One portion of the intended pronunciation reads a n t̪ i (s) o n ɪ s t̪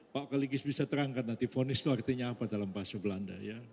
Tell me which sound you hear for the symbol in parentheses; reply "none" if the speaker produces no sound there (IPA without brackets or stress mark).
f